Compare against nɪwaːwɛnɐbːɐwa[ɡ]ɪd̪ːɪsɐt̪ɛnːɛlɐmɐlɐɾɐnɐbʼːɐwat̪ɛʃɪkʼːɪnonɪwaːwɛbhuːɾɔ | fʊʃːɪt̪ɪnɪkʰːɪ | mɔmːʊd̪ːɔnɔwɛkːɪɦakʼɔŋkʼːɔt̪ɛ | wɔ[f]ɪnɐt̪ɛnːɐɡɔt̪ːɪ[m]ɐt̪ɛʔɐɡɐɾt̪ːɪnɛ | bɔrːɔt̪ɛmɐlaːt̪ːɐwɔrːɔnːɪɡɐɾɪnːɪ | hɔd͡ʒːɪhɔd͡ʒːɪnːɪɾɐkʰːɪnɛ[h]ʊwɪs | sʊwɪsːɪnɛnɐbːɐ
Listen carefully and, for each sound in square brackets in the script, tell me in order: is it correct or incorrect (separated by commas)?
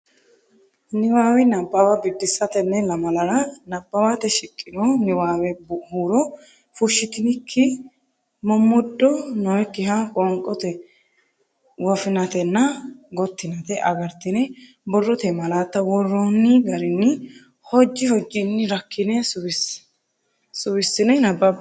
incorrect, correct, incorrect, incorrect